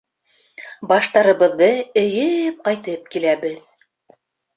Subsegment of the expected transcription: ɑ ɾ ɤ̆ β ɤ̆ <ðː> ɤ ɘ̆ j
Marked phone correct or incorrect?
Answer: correct